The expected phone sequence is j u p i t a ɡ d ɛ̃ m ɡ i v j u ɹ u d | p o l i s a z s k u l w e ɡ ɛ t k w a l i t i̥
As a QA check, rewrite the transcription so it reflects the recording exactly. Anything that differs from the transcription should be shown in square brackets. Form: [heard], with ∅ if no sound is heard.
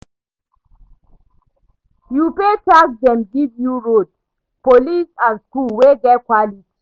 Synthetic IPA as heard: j u p [e] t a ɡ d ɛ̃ m ɡ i v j u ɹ [o] d | p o l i s a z s k u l w e ɡ ɛ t k w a l i t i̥

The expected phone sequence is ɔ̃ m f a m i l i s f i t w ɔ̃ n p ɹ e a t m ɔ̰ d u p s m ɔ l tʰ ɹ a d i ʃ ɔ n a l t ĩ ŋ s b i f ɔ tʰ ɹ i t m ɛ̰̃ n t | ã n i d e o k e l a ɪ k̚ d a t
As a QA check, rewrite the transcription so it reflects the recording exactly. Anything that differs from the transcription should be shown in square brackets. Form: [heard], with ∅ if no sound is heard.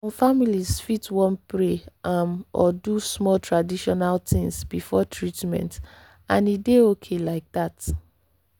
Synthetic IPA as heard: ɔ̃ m f a m i l i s f i t w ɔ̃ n p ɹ e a [∅] m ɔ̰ d u [∅] s m ɔ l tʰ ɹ a d i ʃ ɔ n a l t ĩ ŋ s b i f ɔ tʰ ɹ i t m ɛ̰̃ n t | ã n i d e o [kʰ] e l a ɪ k̚ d a t

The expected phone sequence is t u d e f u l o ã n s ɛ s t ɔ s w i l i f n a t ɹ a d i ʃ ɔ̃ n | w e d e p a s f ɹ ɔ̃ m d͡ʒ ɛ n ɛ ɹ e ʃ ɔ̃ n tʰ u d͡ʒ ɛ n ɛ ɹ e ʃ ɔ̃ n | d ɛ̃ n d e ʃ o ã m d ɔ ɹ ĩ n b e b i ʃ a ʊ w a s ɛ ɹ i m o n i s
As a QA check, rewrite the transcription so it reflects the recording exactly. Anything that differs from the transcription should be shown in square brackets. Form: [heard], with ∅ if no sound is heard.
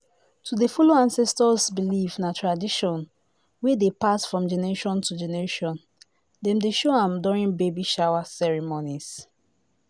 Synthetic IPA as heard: t u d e f u l o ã n s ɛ s t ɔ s [b] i l i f n a t ɹ a d i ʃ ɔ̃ n | w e d e p a s f ɹ ɔ̃ m d͡ʒ ɛ n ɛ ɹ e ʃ ɔ̃ n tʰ u d͡ʒ ɛ n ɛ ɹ e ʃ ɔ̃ n | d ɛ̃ [m] d e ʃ o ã m d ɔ ɹ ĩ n b e b i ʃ a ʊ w a s ɛ ɹ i m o n i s

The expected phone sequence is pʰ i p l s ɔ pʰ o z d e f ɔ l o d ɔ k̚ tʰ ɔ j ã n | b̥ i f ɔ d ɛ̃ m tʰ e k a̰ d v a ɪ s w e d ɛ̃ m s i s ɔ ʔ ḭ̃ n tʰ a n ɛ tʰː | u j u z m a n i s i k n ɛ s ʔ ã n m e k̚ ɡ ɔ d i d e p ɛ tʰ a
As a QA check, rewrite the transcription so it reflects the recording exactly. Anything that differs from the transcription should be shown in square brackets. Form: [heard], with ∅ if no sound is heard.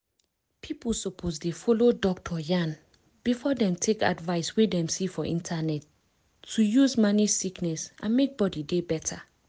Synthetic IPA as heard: pʰ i p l s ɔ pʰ o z d e f ɔ l o d ɔ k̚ tʰ ɔ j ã n | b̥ i f ɔ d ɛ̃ m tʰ e k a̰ d v a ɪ s w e d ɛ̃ m s i [f] ɔ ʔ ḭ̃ n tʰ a n ɛ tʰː | u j u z m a n i s i k n ɛ s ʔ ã n m e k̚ [b] ɔ d i d e [b] ɛ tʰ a

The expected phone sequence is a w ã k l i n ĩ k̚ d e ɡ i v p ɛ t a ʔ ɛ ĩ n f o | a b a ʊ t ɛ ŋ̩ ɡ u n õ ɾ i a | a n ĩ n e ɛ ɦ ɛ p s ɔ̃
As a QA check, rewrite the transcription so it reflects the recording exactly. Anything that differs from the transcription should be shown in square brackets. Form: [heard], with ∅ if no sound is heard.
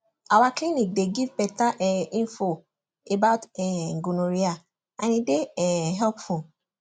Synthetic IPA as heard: a w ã k l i n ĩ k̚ d e ɡ i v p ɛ t a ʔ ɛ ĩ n f o | [e] b a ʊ t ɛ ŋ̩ ɡ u n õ ɾ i a | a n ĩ [d] e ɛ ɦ ɛ p [f] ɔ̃

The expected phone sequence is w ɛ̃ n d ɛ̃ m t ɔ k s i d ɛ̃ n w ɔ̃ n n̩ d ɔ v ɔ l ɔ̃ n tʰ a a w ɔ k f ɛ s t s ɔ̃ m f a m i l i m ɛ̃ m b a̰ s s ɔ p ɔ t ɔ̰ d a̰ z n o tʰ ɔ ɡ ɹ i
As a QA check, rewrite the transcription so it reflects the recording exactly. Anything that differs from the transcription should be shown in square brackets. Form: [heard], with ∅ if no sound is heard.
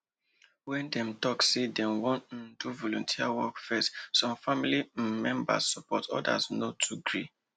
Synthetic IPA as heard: w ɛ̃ n d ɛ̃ m t ɔ k s [e] d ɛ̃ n w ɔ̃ n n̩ d [u] v ɔ l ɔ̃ n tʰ [i] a w ɔ k f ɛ s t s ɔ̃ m f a m i l i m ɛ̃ m b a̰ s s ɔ p ɔ t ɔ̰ d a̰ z n o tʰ [u] ɡ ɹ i

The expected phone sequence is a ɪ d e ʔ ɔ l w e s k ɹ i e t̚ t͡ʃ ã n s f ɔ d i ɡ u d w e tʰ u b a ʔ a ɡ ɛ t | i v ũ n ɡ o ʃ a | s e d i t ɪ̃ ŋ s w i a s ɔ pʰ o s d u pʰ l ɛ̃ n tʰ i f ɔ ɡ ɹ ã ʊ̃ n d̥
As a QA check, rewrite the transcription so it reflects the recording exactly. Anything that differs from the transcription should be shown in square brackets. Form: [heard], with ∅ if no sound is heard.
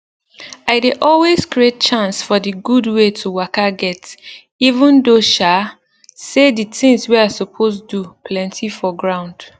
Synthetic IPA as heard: a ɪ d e ʔ ɔ l w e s k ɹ i e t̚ t͡ʃ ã n s f ɔ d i ɡ u d w e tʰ u [w] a [k] a ɡ ɛ t | i v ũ n [d] o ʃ a | s e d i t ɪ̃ ŋ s w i a s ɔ pʰ o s d u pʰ l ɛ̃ n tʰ i f ɔ ɡ ɹ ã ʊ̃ n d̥

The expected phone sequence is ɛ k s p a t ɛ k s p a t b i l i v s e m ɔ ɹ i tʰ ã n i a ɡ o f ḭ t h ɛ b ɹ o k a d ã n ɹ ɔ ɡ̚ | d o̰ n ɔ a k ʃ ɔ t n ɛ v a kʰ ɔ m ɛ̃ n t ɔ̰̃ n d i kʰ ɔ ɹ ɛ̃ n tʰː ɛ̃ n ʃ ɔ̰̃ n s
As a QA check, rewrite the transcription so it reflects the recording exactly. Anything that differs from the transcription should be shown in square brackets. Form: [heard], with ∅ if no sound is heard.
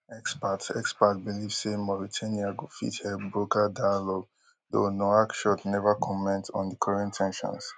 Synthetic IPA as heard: ɛ k s p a t ɛ k s p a t b i l i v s e m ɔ ɹ i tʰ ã n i a ɡ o f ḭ t h ɛ b ɹ o k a d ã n [l] ɔ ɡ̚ | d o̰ n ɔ a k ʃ ɔ t n ɛ v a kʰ ɔ m ɛ̃ n t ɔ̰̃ n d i kʰ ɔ ɹ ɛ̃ n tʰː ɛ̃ n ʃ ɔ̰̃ n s

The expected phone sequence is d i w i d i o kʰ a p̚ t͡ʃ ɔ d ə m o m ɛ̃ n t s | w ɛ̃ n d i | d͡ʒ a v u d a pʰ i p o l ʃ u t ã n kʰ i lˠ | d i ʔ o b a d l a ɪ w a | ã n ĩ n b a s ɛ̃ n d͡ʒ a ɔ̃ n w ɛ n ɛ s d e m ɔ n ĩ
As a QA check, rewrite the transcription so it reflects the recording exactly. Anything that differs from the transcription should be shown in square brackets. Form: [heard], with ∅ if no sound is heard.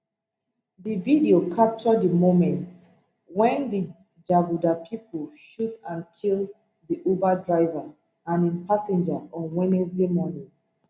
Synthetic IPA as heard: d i [v] i d i o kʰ a p̚ t͡ʃ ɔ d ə m o m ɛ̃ n t s | w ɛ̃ n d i | d͡ʒ a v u d a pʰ i p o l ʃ u t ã n kʰ i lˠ | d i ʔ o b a d [ɹ] a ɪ [v] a | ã n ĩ n [p] a s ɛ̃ n d͡ʒ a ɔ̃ n w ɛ n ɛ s d e m ɔ n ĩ

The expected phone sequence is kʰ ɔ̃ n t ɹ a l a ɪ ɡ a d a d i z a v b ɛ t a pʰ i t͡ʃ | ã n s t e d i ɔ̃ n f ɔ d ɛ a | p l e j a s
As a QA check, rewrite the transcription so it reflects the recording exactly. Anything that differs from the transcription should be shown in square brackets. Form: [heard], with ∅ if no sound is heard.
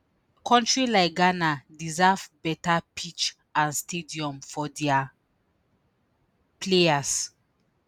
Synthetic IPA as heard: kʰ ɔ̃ n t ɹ [i] l a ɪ ɡ a [n] a d i z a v b ɛ t a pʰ i t͡ʃ | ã n s t e d i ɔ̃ [m] f ɔ d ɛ a | p l e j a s

